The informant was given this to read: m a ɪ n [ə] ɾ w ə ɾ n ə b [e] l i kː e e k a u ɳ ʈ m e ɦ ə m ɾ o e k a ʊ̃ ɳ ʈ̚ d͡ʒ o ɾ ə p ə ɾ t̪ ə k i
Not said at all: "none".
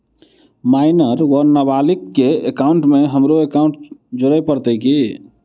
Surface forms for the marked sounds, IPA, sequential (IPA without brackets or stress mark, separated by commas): ə, a